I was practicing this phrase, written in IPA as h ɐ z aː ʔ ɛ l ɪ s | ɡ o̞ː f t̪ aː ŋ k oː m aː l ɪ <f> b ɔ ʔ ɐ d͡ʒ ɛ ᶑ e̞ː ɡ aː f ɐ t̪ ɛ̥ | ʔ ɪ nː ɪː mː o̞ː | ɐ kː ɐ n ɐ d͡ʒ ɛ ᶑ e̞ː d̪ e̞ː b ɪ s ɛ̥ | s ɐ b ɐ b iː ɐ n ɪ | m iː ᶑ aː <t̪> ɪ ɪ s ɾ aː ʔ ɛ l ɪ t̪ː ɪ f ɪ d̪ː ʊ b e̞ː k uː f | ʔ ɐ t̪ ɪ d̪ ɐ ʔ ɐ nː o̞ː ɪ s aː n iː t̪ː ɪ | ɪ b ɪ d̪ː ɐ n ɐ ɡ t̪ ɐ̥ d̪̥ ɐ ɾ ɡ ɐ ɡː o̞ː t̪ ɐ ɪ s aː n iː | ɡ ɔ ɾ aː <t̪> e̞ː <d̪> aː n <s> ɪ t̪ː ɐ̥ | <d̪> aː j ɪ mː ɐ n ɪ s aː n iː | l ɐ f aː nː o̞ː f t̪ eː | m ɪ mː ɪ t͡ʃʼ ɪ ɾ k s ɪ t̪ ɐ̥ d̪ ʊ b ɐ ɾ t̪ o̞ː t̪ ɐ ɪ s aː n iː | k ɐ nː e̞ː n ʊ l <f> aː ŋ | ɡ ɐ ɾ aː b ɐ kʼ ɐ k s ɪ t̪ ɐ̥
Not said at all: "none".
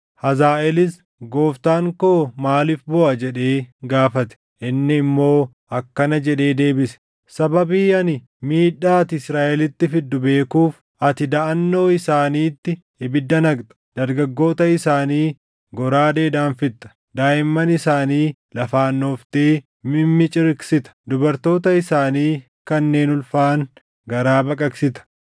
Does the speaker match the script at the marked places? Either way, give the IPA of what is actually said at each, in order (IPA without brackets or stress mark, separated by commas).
f, t̪, d̪, d̪, f, d̪, f